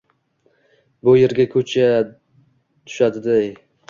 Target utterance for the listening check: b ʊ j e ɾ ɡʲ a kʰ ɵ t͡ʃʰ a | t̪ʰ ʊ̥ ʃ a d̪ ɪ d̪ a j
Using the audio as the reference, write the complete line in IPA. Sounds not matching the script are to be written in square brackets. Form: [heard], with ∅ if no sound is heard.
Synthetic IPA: b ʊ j e ɾ ɡʲ a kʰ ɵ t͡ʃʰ a | t̪ʰ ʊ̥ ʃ a d̪ ɪ d̪ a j